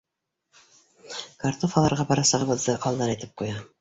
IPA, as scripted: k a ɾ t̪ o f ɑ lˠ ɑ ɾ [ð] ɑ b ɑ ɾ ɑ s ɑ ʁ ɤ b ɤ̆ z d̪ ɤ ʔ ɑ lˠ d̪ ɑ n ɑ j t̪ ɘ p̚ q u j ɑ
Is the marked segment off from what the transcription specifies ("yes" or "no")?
yes